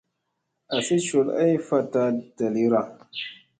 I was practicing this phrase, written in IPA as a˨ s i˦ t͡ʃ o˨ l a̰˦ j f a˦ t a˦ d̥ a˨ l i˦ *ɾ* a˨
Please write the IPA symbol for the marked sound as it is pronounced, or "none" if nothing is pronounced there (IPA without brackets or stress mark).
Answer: ɾ